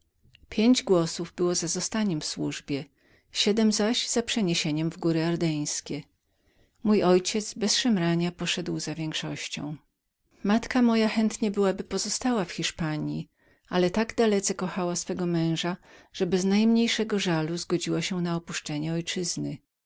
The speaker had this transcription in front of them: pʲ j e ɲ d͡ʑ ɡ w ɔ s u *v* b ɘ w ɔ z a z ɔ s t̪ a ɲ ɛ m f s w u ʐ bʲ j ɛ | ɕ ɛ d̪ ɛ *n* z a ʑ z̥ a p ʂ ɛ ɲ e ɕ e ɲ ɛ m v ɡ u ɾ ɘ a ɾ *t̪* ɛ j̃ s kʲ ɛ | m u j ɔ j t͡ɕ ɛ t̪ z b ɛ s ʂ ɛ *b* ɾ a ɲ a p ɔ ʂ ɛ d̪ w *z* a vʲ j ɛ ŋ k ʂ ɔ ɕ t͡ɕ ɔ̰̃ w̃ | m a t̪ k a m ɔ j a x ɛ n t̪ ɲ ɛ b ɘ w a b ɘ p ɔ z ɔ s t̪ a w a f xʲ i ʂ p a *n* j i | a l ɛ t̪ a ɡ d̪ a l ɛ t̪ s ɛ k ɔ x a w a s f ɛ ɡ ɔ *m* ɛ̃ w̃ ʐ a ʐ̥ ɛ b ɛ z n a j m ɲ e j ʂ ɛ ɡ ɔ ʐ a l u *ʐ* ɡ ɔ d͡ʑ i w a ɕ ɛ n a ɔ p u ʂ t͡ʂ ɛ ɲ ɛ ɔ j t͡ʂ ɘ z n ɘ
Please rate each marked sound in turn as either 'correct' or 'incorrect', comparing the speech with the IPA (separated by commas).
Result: correct, incorrect, incorrect, incorrect, correct, incorrect, correct, incorrect